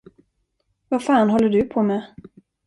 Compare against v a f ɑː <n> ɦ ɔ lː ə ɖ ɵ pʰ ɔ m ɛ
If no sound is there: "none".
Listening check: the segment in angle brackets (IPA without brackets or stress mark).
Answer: n